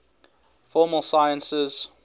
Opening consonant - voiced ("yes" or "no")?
no